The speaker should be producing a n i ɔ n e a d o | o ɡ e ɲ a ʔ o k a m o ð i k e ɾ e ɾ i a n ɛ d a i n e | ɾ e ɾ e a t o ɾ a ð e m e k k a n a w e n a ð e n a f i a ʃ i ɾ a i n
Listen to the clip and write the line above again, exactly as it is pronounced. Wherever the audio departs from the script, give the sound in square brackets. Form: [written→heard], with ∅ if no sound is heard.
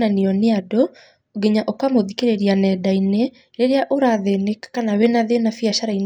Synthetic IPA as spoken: a n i ɔ n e a d o | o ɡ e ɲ a ʔ o k a m o ð i k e ɾ e ɾ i a n ɛ d a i n e | ɾ e ɾ e a [t→ʔ] o ɾ a ð e [m→n] e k k a n a w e n a ð e n a f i a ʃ [i→a] ɾ a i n